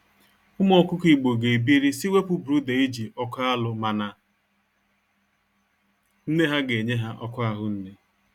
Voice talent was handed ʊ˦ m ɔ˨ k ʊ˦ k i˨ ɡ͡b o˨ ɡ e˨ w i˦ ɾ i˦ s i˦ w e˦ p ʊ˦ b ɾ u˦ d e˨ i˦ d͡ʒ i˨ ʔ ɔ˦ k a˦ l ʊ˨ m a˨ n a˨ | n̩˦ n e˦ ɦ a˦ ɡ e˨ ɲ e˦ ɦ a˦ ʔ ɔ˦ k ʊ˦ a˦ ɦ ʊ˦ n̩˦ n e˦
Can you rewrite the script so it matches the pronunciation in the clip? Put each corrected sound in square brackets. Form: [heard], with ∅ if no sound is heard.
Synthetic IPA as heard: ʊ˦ m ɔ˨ k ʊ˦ k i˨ ɡ͡b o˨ ɡ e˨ [b] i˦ ɾ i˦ s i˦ w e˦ p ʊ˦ b ɾ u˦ d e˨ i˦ d͡ʒ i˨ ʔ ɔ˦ k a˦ l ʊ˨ m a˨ n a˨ | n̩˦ n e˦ ɦ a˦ ɡ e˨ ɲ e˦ ɦ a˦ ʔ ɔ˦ k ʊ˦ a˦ ɦ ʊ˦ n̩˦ n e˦